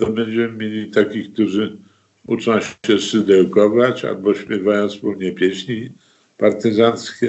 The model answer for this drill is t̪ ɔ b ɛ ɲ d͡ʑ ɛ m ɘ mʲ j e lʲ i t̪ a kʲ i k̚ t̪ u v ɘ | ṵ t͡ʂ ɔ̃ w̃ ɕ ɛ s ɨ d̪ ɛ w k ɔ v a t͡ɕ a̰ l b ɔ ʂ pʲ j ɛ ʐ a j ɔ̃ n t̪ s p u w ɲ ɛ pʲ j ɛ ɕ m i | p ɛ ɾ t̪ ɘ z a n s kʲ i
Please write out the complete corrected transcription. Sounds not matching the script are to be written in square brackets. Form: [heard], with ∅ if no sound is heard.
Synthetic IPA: t̪ ɔ b ɛ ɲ d͡ʑ ɛ m ɘ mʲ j e lʲ i t̪ a kʲ i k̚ t̪ u [ʐ] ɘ | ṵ t͡ʂ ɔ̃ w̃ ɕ ɛ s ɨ d̪ ɛ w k ɔ v a t͡ɕ a̰ l b ɔ [ɕ] pʲ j ɛ [v] a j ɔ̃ n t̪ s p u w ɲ ɛ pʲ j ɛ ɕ [ɲ] i | p [a] ɾ t̪ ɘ z a n s kʲ [ɛ]